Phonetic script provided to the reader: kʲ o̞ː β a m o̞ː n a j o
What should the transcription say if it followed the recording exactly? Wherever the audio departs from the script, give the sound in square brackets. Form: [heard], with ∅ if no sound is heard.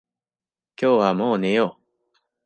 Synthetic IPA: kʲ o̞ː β a m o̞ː n [e] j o